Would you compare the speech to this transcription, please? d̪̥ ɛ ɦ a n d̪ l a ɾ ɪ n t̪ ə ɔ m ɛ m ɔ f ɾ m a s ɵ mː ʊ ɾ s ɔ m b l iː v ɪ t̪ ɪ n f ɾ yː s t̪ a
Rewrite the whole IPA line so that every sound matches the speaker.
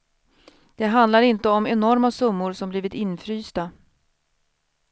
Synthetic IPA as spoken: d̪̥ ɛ ɦ a n d̪ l a ɾ ɪ n t̪ ə ɔ m ɛ n ɔ ɾ m a s ɵ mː ʊ ɾ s ɔ m b l iː v ɪ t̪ ɪ n f ɾ yː s t̪ a